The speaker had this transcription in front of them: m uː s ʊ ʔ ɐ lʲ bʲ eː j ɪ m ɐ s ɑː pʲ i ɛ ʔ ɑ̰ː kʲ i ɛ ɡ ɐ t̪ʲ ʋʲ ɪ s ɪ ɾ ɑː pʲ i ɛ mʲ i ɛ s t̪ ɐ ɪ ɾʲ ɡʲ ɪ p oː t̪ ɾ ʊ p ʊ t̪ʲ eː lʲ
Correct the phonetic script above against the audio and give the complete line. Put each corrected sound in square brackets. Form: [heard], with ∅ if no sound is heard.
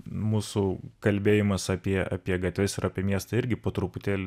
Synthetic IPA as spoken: m uː s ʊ [k] ɐ lʲ bʲ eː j ɪ m ɐ s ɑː pʲ i ɛ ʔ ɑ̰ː [pʲ] i ɛ ɡ ɐ t̪ʲ ʋʲ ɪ s ɪ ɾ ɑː pʲ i ɛ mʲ i ɛ s t̪ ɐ ɪ ɾʲ ɡʲ ɪ p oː t̪ ɾ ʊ p ʊ t̪ʲ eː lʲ

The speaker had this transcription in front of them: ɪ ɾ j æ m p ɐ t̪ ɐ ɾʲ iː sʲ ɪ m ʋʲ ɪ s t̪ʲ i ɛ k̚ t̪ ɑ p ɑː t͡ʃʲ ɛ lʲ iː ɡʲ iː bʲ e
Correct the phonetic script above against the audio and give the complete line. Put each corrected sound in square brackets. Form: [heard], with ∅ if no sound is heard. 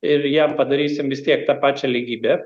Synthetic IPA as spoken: ɪ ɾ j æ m p ɐ [d̪] ɐ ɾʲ iː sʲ ɪ m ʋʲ ɪ s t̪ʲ i ɛ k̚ t̪ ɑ p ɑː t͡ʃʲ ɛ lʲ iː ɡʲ iː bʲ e

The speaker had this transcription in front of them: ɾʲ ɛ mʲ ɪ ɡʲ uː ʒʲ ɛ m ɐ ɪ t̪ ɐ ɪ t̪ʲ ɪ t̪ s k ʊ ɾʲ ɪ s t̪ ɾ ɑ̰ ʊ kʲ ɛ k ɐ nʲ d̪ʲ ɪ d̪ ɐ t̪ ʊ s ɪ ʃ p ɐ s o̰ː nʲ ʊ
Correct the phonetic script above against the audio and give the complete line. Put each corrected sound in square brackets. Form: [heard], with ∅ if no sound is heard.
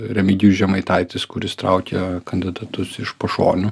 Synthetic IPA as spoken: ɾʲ ɛ mʲ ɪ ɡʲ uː ʒʲ ɛ m ɐ ɪ t̪ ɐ ɪ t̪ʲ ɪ [∅] s k ʊ ɾʲ ɪ s t̪ ɾ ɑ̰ ʊ kʲ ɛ k ɐ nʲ d̪ʲ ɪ d̪ ɐ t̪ ʊ s ɪ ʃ p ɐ [ʃ] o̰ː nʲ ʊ

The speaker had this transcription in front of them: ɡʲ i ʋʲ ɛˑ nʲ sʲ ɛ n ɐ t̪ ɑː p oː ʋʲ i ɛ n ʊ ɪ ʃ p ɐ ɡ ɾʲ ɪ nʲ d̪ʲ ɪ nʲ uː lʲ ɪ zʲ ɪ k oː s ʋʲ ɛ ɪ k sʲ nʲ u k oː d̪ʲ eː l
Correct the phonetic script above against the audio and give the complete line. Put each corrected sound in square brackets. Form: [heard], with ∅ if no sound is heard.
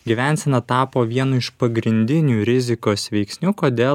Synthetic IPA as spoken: ɡʲ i ʋʲ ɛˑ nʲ sʲ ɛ n ɐ t̪ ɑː p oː ʋʲ i ɛ n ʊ ɪ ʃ p ɐ ɡ ɾʲ ɪ nʲ d̪ʲ ɪ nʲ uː [ɾʲ] ɪ zʲ ɪ k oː s ʋʲ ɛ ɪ k sʲ nʲ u k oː d̪ʲ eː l

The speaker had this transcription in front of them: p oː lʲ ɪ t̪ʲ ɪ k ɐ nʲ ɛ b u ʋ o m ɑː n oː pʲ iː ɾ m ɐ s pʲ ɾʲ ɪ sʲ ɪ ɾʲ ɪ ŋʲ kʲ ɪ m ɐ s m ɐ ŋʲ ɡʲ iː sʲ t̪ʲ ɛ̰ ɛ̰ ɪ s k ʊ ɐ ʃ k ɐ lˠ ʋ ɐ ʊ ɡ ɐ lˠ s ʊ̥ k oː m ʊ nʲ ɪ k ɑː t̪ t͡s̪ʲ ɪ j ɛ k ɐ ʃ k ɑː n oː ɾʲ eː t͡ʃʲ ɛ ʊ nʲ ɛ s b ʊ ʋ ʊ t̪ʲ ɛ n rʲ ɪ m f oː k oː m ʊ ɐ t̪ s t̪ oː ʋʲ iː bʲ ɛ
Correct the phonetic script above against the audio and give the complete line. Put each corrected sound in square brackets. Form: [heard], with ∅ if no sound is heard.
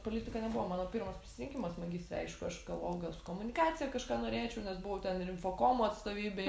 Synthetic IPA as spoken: p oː lʲ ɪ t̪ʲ ɪ k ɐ nʲ ɛ b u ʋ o m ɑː n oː pʲ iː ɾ m ɐ s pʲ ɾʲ ɪ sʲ ɪ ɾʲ ɪ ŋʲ kʲ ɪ m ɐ s m ɐ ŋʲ ɡʲ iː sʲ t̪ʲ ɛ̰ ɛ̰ ɪ [ʃ] k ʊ ɐ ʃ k ɐ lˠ ʋ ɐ ʊ ɡ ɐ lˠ s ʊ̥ k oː m ʊ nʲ ɪ k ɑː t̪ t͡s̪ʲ ɪ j ɛ k ɐ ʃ k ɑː n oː ɾʲ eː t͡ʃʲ ɛ ʊ nʲ ɛ s b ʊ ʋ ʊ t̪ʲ ɛ n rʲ ɪ m f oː k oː m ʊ ɐ t̪ s t̪ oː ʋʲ iː bʲ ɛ

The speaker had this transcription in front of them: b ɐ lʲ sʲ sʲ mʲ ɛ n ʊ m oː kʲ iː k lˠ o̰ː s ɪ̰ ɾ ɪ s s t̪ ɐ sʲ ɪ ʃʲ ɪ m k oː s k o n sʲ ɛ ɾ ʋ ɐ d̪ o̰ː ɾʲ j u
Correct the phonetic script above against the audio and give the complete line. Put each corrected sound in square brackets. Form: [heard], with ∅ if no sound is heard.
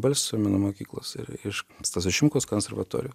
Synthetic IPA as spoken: b ɐ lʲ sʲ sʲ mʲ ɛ n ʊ m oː kʲ iː k lˠ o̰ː s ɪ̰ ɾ ɪ [ʃ] s t̪ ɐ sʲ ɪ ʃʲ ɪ m k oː s k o n sʲ ɛ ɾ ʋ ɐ [t̪] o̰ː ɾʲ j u

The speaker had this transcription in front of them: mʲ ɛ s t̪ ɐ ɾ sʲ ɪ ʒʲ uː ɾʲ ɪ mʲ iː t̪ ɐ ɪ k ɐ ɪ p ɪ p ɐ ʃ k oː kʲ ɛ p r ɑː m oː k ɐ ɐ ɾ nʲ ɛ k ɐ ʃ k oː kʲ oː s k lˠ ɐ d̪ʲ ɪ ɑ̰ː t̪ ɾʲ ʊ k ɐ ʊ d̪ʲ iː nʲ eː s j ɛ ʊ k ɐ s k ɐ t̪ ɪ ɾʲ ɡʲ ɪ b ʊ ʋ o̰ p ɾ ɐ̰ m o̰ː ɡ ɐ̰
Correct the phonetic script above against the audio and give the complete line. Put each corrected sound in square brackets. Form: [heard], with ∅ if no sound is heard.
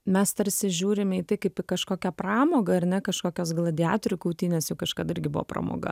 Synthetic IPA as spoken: mʲ ɛ s t̪ ɐ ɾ sʲ ɪ ʒʲ uː ɾʲ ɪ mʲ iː t̪ ɐ ɪ k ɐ ɪ p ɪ [k] ɐ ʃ k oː kʲ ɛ p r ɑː m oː [ɡ] ɐ ɐ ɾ nʲ ɛ k ɐ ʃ k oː kʲ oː s [ɡ] lˠ ɐ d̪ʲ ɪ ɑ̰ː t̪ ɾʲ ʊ k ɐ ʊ [t̪ʲ] iː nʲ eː s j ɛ ʊ k ɐ [ʃ] k ɐ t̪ ɪ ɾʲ ɡʲ ɪ b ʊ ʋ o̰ p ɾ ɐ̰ m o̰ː ɡ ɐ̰

